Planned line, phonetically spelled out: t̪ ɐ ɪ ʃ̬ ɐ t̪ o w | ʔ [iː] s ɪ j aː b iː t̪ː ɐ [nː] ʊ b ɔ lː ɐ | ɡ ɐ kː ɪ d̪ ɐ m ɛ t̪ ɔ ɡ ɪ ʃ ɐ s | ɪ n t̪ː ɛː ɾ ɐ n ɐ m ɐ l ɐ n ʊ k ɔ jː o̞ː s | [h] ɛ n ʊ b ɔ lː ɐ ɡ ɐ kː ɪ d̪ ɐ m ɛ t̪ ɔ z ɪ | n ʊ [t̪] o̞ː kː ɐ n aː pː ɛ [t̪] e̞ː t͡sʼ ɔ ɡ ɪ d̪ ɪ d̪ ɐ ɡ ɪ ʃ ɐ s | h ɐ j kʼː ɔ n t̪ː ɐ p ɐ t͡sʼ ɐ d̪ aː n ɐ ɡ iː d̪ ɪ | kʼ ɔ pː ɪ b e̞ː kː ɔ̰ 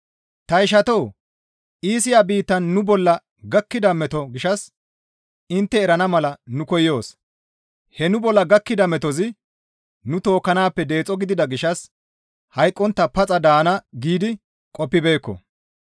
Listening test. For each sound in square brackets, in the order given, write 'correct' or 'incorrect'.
correct, correct, correct, correct, incorrect

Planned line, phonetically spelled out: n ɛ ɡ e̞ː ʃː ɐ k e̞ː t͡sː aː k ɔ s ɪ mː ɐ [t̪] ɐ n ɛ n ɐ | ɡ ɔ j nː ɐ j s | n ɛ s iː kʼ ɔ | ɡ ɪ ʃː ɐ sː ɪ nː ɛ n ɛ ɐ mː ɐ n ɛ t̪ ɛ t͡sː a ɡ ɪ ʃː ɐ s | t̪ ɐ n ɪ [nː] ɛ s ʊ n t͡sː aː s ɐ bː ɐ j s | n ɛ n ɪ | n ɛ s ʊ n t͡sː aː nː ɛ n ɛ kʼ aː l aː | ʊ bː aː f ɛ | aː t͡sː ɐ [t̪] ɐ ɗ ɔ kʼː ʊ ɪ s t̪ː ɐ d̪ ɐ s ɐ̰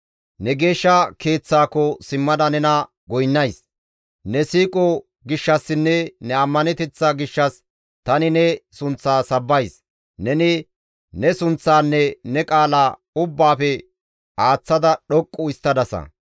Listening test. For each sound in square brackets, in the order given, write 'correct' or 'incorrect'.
incorrect, incorrect, incorrect

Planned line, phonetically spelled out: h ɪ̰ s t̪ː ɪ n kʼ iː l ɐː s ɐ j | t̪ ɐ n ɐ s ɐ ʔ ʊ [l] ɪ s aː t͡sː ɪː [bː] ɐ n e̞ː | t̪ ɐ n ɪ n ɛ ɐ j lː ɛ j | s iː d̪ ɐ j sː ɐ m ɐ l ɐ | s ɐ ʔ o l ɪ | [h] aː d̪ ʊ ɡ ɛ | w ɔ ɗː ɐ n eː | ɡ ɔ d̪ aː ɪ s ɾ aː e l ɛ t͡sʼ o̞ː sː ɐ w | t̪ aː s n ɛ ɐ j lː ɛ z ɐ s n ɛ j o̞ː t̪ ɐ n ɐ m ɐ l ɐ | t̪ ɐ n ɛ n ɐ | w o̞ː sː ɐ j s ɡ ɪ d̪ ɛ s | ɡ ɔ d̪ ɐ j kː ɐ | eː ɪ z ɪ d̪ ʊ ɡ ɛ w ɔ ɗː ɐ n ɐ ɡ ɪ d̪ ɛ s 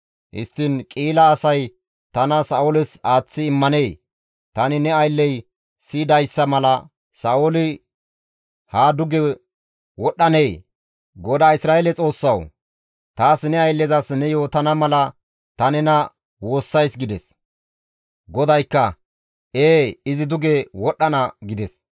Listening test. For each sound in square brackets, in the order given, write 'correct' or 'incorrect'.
correct, incorrect, correct

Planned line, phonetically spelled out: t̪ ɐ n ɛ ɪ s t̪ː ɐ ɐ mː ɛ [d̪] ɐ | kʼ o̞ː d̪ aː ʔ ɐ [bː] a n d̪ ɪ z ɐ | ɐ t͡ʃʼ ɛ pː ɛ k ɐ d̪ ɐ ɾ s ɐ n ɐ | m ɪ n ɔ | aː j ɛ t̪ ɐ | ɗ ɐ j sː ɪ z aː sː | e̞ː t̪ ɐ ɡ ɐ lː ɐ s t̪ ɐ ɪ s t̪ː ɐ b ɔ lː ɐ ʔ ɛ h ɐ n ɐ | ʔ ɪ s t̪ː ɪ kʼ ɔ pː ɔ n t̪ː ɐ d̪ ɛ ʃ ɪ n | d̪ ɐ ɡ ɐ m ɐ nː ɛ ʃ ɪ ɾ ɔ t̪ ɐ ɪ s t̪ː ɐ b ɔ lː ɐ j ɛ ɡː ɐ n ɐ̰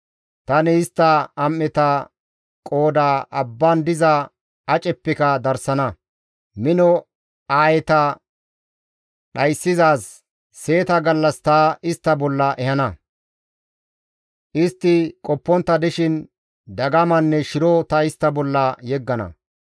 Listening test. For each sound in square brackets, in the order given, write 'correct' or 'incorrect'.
incorrect, correct

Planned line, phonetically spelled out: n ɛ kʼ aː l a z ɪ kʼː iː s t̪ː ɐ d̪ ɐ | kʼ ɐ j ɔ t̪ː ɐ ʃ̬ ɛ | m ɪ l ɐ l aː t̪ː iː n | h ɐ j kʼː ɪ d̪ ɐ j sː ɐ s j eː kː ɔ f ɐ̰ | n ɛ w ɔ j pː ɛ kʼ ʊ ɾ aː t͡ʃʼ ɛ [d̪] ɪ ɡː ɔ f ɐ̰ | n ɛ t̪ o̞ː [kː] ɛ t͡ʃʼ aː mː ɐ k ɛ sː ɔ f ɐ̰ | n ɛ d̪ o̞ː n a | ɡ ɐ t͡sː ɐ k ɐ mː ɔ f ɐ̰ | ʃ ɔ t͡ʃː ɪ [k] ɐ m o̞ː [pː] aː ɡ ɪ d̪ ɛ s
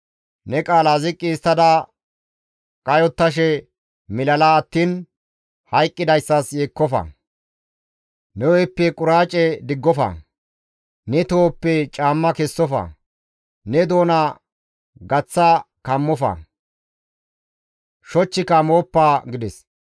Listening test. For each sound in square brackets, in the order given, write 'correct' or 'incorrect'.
correct, incorrect, correct, correct

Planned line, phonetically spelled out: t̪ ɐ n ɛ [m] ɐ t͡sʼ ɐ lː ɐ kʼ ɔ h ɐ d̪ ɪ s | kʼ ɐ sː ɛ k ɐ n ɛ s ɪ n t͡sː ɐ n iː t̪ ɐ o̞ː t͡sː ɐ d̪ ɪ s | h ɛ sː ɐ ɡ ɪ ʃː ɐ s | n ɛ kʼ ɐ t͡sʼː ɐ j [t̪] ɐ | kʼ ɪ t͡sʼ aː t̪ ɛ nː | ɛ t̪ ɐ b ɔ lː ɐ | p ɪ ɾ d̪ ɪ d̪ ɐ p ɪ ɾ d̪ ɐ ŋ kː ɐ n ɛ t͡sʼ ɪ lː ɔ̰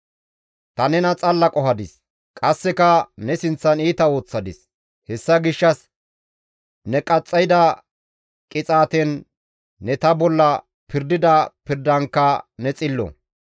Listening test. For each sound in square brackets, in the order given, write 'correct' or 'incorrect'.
incorrect, incorrect

